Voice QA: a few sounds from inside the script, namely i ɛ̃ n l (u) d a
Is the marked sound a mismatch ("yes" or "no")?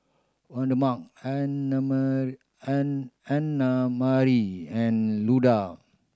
no